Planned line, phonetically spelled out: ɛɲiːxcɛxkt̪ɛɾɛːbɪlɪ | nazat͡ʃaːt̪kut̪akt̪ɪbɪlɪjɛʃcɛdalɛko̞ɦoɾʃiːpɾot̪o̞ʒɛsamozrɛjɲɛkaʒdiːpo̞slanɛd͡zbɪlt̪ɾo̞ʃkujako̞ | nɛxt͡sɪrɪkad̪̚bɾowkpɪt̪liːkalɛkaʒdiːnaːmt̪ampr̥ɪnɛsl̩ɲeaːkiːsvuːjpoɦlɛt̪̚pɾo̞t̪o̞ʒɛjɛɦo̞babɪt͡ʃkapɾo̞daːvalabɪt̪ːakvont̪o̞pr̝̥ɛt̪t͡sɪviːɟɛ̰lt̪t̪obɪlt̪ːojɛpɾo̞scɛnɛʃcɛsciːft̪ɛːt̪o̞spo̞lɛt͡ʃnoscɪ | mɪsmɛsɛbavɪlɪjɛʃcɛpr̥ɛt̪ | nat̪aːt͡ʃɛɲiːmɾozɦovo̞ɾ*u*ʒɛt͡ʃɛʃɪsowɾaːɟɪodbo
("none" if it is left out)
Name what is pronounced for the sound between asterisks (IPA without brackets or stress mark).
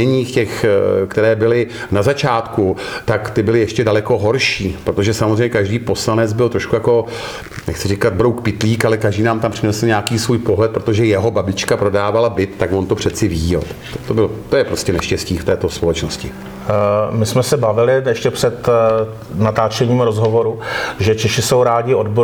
u